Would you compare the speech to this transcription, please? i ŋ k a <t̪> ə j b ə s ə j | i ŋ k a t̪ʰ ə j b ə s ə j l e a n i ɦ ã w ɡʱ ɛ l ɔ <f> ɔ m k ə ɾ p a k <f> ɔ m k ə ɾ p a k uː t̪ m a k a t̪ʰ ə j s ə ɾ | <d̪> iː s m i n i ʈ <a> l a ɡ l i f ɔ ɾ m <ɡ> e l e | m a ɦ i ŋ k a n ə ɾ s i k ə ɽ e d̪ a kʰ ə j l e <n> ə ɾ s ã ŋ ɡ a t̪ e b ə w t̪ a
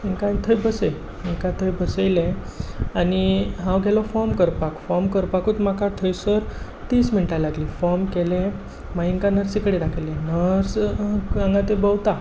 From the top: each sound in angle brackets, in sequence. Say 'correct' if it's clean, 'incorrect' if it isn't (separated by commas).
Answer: incorrect, correct, correct, incorrect, correct, incorrect, correct